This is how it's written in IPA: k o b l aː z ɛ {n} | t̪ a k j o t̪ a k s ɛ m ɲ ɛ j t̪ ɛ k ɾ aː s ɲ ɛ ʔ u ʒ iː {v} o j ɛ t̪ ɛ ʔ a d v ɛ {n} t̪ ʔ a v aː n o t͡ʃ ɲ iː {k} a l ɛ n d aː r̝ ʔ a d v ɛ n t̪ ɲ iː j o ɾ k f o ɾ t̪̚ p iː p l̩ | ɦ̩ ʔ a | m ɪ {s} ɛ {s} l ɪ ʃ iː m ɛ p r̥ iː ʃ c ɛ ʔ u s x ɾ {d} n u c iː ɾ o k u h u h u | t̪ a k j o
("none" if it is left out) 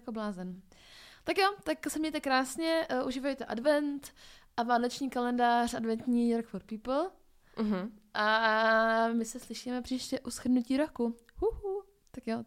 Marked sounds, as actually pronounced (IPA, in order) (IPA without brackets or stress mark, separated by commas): n, v, n, k, s, s, d